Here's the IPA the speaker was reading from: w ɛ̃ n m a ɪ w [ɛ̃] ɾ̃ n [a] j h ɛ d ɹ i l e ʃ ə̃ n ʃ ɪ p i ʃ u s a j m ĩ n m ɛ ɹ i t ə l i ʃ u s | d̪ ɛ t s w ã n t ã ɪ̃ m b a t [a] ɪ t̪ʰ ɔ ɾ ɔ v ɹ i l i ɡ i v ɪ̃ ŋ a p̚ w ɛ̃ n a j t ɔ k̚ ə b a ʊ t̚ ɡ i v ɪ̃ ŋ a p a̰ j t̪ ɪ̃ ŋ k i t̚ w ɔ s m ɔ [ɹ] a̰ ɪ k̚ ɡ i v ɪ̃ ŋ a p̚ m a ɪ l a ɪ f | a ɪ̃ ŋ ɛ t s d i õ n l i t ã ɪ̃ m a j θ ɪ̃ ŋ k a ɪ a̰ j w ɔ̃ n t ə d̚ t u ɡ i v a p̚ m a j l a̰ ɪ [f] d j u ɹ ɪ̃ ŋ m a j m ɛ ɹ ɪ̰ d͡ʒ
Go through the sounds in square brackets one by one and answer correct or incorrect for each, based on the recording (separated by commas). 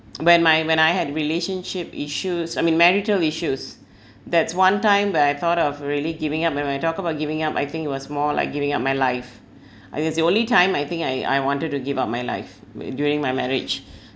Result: correct, correct, correct, incorrect, correct